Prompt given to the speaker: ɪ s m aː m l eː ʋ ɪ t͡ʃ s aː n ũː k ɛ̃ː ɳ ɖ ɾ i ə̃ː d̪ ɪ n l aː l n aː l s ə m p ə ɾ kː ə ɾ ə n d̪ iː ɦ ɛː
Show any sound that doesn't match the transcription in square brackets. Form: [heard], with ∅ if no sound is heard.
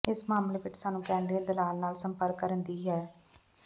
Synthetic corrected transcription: ɪ s m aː m l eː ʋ ɪ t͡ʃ s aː n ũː k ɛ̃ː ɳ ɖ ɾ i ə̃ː d̪ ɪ [∅] l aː l n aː l s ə m p ə ɾ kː ə ɾ ə n d̪ iː ɦ ɛː